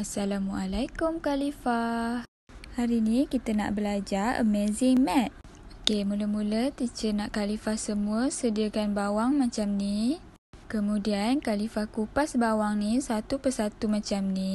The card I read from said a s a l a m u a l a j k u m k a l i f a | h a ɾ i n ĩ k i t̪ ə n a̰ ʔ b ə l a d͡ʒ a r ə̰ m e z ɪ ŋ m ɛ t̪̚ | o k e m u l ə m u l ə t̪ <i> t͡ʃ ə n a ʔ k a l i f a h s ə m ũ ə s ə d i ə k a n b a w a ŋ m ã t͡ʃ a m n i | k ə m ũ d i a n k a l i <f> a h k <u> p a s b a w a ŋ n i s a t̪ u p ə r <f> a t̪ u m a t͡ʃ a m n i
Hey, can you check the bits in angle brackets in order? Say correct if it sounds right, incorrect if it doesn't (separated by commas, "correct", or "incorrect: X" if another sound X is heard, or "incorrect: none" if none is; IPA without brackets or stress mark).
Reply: correct, correct, correct, incorrect: s